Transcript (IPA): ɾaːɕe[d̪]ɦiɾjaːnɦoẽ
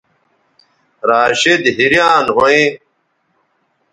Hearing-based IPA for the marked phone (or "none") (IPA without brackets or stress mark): d̪